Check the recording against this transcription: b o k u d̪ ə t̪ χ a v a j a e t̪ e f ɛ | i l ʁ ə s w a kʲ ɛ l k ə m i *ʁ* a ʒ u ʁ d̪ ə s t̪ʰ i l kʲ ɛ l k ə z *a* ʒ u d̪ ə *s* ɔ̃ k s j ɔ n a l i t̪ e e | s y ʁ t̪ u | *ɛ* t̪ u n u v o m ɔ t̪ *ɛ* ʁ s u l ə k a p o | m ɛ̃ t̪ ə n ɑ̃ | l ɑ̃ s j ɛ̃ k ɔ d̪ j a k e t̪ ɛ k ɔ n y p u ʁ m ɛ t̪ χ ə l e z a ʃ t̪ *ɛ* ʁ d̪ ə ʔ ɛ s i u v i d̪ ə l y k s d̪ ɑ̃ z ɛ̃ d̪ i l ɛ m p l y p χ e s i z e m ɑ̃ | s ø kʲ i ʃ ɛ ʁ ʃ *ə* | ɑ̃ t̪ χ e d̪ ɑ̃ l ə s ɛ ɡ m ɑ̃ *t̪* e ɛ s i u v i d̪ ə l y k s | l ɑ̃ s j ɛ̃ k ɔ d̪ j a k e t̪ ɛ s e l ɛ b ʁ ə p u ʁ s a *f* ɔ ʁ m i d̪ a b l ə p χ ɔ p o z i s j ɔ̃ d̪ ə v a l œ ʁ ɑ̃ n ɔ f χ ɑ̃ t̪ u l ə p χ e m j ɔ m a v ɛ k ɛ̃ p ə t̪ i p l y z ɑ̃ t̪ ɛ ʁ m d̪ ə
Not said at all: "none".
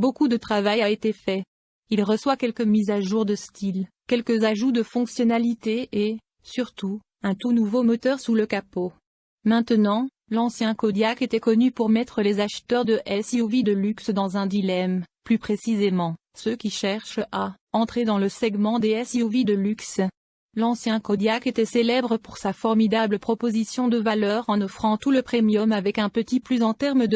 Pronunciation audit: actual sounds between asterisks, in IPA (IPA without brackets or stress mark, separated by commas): z, a, f, ɛ̃, œ, œ, a, d̪, f